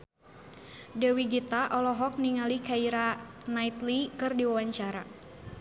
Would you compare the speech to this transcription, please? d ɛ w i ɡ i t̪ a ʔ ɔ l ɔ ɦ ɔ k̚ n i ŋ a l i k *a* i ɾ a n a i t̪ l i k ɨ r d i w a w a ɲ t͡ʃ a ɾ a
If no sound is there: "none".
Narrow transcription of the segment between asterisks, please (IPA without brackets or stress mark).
a